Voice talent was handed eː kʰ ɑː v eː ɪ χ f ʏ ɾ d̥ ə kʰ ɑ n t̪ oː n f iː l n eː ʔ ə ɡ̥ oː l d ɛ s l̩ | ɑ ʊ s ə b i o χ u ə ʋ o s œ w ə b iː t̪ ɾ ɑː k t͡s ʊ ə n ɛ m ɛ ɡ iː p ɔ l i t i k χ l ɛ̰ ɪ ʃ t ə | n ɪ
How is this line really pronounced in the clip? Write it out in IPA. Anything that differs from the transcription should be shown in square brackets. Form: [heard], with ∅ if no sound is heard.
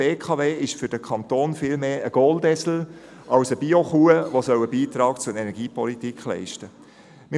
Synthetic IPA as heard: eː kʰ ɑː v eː ɪ [ʃ] f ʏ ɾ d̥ ə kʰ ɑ n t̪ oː n f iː l [m] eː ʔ ə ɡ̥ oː l d ɛ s l̩ | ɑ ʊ s ə b i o χ u ə ʋ o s œ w ə b iː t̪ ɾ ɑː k t͡s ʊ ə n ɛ [n] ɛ ɡ iː p ɔ l i t i k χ l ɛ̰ ɪ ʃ t ə | [m] ɪ

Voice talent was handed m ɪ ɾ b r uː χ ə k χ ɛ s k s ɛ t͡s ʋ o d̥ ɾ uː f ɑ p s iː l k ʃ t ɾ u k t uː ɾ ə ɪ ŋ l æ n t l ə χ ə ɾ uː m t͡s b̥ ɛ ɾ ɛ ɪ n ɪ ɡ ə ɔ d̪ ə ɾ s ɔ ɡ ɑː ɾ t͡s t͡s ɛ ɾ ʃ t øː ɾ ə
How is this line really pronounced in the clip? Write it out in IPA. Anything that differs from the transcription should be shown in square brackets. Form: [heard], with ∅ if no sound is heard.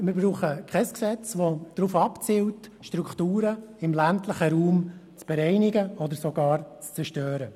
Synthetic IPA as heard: m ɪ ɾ b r uː χ ə k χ ɛ s k s ɛ t͡s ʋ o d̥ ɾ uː f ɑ p [t͡s] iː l [t] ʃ t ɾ u k t uː ɾ ə ɪ [m] l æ n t l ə χ ə ɾ uː m t͡s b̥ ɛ ɾ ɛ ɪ n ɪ ɡ ə ɔ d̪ ə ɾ s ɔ ɡ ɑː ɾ t͡s t͡s ɛ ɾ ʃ t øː ɾ ə

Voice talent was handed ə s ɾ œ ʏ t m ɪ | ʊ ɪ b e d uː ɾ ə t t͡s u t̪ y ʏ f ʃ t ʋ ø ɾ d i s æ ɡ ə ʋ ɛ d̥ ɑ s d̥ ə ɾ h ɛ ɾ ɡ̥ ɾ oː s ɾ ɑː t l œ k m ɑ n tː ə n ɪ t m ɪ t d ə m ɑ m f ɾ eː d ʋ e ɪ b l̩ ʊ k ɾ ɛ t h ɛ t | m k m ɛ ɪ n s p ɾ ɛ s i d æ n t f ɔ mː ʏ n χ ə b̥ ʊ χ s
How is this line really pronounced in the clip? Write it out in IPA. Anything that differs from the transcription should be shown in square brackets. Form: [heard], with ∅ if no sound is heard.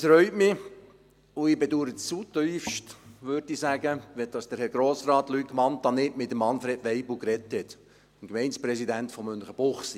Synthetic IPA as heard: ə s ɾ œ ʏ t m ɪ | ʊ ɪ b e d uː ɾ ə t t͡s u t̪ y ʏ f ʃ t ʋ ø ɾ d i s æ ɡ ə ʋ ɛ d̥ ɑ s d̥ ə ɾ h ɛ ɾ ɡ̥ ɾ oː s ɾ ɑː t l [y] k m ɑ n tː [ɑ] n ɪ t m ɪ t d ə m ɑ [n] f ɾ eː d ʋ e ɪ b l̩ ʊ k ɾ ɛ t h ɛ t | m k m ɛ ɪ n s p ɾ ɛ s i d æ n t f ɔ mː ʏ n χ ə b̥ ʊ χ s

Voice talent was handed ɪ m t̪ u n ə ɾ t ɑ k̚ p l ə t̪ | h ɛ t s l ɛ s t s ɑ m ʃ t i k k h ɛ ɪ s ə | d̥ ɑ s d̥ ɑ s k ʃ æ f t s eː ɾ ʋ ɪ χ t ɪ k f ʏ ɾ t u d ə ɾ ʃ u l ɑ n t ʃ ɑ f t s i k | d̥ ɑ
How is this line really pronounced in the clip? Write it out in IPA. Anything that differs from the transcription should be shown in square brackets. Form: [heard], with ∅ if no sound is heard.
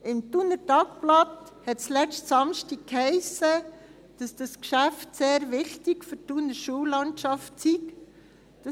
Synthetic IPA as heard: ɪ m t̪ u n ə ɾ t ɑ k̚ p l [ɑ] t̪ | h ɛ t s l ɛ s t s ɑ m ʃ t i k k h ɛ ɪ s ə | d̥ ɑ s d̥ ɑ s k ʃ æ f t s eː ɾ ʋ ɪ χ t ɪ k f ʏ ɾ t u [n] ə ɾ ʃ u l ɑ n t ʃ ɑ f t s i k | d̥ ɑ

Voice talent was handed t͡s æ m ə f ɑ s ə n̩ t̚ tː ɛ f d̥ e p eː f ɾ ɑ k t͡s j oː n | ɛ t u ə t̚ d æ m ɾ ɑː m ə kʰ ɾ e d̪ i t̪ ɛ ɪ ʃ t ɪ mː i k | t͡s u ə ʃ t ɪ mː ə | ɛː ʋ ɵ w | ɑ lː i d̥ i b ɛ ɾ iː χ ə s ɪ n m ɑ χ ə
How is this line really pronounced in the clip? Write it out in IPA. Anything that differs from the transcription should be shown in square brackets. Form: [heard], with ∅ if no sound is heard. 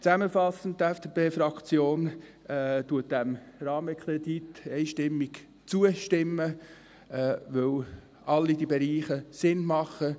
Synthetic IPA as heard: t͡s æ m ə f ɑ s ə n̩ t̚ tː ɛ f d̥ e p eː f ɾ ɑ k t͡s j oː n | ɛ t u ə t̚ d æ m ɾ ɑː m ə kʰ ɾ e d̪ i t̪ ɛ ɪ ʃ t ɪ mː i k | t͡s u ə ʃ t ɪ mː ə | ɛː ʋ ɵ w | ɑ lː i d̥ i b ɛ ɾ iː χ ə s ɪ n m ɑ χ ə

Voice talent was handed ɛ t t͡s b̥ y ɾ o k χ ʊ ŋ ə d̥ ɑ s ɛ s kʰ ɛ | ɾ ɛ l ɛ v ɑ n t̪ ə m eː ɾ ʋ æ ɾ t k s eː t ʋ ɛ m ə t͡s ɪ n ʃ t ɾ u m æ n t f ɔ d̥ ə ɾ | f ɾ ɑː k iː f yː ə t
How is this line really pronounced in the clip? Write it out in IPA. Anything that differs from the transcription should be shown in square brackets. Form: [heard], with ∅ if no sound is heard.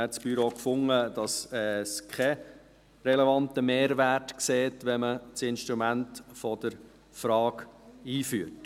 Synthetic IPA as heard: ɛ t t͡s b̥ y ɾ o k [f] ʊ ŋ ə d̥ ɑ s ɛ s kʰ ɛ | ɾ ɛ l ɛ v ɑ n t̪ ə m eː ɾ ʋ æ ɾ t k s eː t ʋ ɛ m ə t͡s ɪ n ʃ t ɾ u m æ n t f ɔ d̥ ə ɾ | f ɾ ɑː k iː f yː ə t

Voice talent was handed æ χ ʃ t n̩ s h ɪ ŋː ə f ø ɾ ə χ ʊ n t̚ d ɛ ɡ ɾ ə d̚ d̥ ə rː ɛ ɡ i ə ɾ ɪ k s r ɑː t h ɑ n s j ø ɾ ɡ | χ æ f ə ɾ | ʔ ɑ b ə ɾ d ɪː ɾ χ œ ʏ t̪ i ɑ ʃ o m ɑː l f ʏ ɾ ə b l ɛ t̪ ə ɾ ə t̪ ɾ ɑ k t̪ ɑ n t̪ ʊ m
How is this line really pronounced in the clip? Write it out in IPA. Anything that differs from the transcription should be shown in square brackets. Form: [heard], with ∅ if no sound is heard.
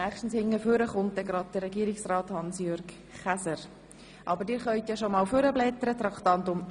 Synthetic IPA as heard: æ χ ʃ t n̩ s h ɪ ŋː ə f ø ɾ ə χ ʊ n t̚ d ɛ ɡ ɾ [ɑ] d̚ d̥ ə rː ɛ ɡ i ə ɾ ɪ k s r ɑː t h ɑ n s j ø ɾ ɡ | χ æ [s] ə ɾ | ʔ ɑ b ə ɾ d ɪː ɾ χ œ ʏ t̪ [j] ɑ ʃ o m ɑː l f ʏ ɾ ə b l ɛ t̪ ə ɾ ə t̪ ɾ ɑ k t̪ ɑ n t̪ ʊ m

